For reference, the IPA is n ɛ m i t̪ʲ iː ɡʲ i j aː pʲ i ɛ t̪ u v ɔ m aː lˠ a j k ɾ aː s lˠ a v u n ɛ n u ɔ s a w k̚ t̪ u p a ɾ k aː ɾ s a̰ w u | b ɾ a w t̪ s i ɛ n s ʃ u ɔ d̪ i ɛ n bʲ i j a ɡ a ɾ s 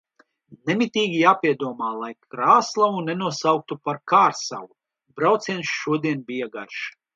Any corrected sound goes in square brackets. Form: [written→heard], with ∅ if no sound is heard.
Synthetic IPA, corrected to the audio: n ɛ m i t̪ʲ iː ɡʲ i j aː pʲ i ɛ [t̪→d̪] u [v→∅] ɔ m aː lˠ a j k ɾ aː s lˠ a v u n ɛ n u ɔ s a w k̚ t̪ u p a ɾ k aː ɾ s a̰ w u | b ɾ a w t̪ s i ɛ n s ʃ u ɔ d̪ i ɛ n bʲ i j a ɡ a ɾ [s→ʃ]